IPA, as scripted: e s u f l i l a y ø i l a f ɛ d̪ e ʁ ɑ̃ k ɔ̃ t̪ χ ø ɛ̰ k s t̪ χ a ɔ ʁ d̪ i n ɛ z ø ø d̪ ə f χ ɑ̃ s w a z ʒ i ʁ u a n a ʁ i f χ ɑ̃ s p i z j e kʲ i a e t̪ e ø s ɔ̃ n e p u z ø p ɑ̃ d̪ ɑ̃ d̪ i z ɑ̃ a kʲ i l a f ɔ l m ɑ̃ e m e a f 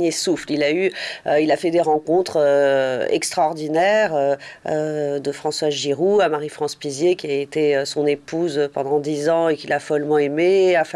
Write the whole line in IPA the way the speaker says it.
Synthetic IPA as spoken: e s u f l i l a y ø i l a f ɛ d̪ e ʁ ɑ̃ k ɔ̃ t̪ χ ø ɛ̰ k s t̪ χ a ɔ ʁ d̪ i n ɛ ʁ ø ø d̪ ə f χ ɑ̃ s w a z ʒ i ʁ u a m a ʁ i f χ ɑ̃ s p i z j e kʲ i a e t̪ e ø s ɔ̃ n e p u z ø p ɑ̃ d̪ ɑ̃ d̪ i z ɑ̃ e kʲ i l a f ɔ l m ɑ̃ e m e a f

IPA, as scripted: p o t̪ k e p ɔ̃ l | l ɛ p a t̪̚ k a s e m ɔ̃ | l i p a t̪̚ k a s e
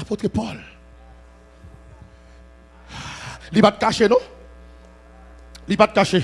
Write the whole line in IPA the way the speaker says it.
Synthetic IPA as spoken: p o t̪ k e p ɔ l | l i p a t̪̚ k a ʃ e n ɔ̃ | l i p a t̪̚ k a ʃ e

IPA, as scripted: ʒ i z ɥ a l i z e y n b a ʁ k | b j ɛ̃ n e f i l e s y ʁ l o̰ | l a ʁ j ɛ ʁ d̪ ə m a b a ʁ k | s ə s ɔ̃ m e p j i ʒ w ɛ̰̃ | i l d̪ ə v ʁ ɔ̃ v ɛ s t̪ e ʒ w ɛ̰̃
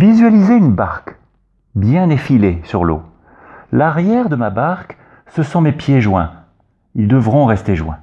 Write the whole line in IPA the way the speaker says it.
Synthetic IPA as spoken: v i z ɥ a l i z e y n b a ʁ k | b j ɛ̃ n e f i l e s y ʁ l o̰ | l a ʁ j ɛ ʁ d̪ ə m a b a ʁ k | s ə s ɔ̃ m e p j e ʒ w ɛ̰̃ | i l d̪ ə v ʁ ɔ̃ ʁ ɛ s t̪ e ʒ w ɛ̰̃

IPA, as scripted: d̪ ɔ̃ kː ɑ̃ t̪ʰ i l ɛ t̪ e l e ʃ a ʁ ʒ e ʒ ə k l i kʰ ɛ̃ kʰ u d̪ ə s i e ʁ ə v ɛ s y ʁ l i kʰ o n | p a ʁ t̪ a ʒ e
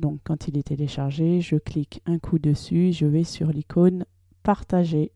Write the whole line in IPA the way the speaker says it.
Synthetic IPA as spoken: d̪ ɔ̃ kː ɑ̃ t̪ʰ i l ɛ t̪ e l e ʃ a ʁ ʒ e ʒ ə k l i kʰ ɛ̃ kʰ u d̪ ə s y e ʒ ə v ɛ s y ʁ l i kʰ o n | p a ʁ t̪ a ʒ e

